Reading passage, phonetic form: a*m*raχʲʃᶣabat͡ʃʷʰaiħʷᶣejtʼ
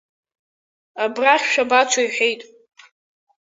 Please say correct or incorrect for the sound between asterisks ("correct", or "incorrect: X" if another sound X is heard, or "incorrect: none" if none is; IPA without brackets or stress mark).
incorrect: b